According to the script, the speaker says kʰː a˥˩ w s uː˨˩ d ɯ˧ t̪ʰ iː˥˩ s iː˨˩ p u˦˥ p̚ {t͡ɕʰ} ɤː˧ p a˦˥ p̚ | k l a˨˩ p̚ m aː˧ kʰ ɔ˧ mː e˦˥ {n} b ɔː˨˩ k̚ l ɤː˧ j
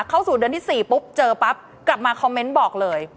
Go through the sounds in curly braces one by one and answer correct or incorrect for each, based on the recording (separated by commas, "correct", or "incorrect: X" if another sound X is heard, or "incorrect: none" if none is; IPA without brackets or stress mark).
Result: incorrect: t͡ɕ, correct